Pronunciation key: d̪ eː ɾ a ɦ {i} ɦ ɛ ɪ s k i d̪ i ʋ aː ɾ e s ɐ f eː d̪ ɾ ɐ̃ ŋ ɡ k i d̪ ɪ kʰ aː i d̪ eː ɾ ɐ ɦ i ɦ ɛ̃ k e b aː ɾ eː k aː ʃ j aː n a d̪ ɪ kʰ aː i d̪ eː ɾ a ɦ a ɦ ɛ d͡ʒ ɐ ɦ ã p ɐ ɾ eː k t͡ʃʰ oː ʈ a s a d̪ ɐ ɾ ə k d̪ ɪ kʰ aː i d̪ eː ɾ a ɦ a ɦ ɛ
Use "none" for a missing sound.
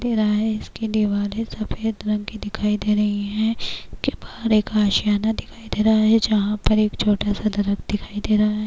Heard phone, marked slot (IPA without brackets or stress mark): a